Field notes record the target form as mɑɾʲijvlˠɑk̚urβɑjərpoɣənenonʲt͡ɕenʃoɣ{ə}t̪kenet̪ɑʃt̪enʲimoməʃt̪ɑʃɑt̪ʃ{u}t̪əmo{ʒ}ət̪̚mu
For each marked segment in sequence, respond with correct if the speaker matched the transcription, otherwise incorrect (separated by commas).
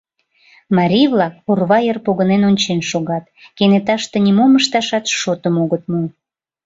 incorrect, incorrect, incorrect